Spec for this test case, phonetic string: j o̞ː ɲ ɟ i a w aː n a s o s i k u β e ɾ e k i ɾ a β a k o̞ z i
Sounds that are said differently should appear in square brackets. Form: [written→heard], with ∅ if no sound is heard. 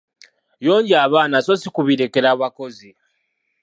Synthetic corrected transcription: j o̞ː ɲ ɟ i a [w→β] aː n a s o s i k u β [e→i] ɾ e k [i→e] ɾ a β a k o̞ z i